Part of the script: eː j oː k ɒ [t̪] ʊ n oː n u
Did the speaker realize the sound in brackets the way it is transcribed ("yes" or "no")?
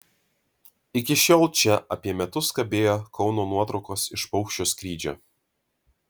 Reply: no